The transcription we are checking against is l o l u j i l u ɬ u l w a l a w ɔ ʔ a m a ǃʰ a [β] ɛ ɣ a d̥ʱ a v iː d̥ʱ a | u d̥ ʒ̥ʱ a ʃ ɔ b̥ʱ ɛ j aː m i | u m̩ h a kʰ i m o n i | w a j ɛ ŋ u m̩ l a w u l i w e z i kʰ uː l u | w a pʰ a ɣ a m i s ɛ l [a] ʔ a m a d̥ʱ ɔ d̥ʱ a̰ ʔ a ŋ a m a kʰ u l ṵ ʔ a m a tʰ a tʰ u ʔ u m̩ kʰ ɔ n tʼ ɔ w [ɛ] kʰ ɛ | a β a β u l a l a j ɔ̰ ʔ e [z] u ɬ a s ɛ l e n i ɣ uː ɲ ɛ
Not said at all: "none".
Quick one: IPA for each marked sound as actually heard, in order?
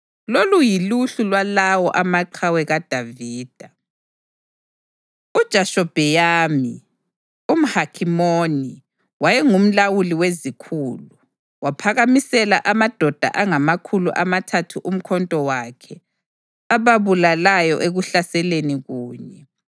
w, a, a, ɣ

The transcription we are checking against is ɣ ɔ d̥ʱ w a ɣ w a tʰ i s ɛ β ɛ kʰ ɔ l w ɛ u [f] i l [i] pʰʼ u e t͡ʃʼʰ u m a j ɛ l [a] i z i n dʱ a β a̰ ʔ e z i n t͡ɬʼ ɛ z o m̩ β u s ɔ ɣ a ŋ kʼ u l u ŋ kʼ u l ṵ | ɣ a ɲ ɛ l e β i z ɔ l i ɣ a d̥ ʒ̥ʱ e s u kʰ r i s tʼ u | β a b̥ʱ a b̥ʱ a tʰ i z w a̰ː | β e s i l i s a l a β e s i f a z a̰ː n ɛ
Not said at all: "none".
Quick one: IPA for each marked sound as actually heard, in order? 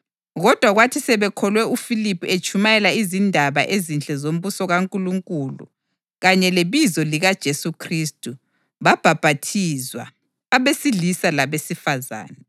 f, i, a

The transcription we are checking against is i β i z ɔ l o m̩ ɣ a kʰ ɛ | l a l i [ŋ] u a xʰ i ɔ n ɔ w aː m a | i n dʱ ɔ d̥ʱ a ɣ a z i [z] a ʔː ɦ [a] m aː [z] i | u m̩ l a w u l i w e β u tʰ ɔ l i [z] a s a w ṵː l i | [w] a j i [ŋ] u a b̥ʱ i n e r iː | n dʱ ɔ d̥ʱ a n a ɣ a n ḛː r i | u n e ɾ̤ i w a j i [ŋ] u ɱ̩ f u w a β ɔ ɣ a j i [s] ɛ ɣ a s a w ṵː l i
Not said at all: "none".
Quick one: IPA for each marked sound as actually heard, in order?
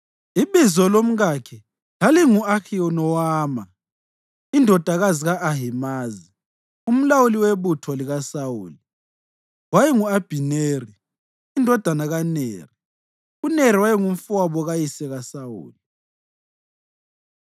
ŋ, ɣ, i, z, ɣ, w, ŋ, ŋ, s

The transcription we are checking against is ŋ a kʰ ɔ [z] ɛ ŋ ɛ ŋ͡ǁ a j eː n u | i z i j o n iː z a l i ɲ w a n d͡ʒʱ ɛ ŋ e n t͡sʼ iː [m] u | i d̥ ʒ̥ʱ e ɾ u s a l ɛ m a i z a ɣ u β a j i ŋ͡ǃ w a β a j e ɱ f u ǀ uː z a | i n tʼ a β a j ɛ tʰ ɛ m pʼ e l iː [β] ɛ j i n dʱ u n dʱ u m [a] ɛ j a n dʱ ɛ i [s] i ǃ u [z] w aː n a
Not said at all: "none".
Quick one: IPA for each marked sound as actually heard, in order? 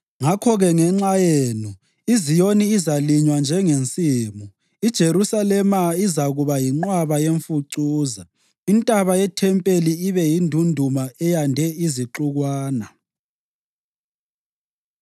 ɣ, m, β, a, z, ɣ

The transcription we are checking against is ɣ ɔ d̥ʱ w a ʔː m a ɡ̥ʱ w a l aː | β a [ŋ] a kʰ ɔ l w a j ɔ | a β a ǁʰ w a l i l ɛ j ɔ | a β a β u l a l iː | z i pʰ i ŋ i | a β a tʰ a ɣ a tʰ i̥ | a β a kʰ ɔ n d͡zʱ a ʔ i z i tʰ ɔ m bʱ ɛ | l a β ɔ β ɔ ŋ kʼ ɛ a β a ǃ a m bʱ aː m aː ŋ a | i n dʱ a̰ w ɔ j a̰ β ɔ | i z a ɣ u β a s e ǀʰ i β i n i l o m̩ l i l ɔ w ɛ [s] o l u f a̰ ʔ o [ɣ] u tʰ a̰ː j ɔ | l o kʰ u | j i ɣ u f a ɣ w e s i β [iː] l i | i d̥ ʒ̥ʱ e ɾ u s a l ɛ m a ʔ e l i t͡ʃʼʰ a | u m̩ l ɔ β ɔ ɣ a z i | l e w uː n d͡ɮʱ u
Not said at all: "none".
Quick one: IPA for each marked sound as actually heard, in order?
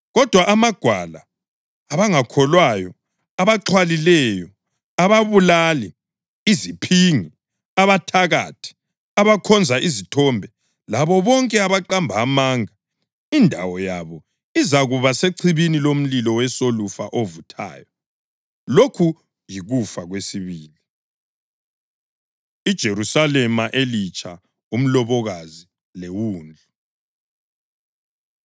ŋ, s, v, iː

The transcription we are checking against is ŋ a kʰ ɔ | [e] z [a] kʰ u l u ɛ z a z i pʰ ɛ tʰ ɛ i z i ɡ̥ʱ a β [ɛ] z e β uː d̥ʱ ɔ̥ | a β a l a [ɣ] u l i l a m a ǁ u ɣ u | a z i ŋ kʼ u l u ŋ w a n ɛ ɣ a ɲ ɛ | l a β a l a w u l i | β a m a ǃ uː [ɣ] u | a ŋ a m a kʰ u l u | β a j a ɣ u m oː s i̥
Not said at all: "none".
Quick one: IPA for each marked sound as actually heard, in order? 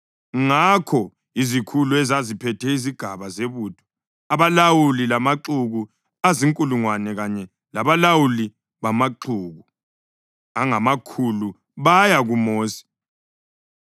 i, i, a, w, ɣ

